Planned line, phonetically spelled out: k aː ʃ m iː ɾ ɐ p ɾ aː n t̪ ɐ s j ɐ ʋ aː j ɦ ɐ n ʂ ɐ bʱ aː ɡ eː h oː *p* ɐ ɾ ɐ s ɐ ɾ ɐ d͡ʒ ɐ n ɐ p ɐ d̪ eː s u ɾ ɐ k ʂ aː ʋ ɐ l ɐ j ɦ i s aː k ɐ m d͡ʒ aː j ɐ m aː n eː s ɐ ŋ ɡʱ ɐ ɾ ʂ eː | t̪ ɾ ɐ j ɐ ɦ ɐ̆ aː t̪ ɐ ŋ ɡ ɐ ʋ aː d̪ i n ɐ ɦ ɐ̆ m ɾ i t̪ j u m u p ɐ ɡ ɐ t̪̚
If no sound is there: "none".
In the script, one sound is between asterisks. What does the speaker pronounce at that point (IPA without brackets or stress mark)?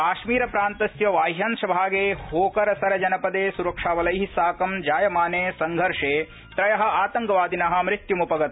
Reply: k